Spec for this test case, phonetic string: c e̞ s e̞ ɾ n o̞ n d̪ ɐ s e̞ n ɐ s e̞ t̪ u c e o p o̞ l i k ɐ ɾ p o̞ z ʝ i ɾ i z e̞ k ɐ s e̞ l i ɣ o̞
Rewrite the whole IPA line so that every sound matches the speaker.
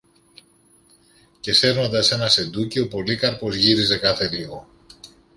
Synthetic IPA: c e̞ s e̞ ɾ n o̞ n d̪ ɐ s e̞ n ɐ s e̞ d̪ u c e o p o̞ l i k ɐ ɾ p o̞ z ʝ i ɾ i z e̞ k ɐ θ e̞ l i ɣ o̞